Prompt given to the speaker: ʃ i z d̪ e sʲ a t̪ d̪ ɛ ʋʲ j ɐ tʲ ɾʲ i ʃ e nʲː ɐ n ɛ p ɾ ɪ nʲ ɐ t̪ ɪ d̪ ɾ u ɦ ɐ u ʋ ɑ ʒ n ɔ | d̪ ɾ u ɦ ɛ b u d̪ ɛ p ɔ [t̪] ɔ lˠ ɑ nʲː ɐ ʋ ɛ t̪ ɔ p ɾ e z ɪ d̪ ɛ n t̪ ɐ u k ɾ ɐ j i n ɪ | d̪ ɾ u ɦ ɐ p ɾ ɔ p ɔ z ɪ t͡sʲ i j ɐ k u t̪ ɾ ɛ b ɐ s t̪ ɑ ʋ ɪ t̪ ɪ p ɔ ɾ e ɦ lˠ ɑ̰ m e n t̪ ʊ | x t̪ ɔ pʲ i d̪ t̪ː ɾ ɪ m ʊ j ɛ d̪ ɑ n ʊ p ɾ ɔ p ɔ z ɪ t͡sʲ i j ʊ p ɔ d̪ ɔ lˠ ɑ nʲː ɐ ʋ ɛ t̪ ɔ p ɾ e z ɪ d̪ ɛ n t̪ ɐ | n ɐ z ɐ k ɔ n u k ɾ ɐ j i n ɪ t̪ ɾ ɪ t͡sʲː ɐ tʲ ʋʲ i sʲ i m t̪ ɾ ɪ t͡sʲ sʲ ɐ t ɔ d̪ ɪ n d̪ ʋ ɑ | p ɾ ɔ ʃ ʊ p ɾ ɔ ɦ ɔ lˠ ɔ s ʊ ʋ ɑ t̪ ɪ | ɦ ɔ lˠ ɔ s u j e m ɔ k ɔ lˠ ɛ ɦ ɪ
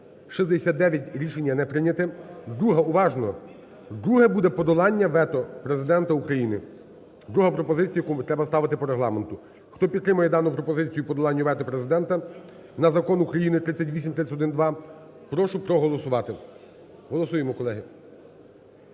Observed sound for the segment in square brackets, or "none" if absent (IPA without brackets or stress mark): d̪